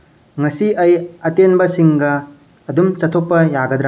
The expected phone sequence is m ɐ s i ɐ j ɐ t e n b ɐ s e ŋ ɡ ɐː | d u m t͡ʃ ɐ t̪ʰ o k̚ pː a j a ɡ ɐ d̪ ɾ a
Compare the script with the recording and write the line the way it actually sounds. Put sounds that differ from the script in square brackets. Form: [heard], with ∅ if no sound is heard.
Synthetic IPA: [ŋ] ɐ s i ɐ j ɐ t e n b ɐ s [i] ŋ ɡ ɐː | d u m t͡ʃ ɐ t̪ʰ o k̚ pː [ɐ] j a ɡ ɐ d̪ ɾ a